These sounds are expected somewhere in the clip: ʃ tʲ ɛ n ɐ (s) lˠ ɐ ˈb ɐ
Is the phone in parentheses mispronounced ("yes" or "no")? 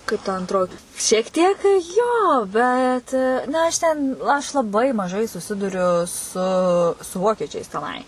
yes